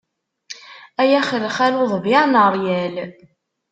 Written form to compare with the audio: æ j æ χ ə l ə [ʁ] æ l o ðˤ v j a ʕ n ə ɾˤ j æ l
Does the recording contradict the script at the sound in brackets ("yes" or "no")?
yes